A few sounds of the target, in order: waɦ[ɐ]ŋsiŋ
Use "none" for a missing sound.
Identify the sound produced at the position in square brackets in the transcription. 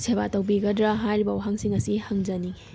a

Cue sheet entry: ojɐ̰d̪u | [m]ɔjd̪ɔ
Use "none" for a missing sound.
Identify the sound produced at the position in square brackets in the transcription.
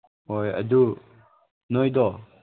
n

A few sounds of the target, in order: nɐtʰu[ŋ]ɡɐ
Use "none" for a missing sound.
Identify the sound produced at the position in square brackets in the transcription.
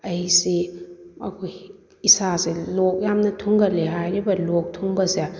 ŋ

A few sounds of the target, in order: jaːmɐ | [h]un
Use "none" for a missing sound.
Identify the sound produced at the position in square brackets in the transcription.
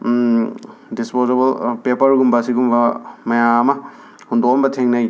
h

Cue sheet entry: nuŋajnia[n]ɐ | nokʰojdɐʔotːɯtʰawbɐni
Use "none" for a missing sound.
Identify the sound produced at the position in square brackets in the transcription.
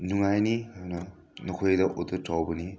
n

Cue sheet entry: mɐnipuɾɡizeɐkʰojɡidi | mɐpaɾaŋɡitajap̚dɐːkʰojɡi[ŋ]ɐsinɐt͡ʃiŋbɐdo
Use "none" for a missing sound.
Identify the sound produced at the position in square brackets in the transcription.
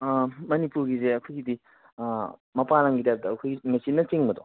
ŋ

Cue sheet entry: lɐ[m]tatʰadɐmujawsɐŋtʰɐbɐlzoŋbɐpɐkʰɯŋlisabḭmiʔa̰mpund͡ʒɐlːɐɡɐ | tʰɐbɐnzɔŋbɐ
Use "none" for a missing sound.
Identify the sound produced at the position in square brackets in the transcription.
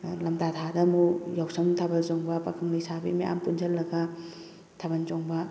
m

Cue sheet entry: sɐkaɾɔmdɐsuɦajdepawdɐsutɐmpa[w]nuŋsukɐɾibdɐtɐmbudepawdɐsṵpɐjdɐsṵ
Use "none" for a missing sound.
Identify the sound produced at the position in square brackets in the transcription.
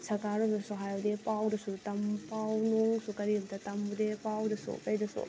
w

